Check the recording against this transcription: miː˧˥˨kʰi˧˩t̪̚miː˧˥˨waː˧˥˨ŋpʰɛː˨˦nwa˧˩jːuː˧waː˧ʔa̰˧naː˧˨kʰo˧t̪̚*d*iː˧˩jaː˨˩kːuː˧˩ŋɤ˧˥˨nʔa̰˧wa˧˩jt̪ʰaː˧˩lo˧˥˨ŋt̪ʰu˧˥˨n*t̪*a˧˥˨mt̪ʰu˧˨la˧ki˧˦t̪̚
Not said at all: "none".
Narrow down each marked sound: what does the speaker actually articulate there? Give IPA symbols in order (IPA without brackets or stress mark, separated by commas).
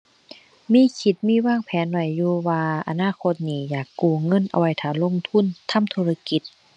n, t̪ʰ